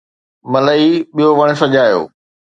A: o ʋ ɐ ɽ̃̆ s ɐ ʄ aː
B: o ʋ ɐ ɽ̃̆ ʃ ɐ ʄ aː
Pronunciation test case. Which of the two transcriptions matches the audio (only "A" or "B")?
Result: A